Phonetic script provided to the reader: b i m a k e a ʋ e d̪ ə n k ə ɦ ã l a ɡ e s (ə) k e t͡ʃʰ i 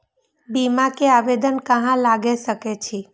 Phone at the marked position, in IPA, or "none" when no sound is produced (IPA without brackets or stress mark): ə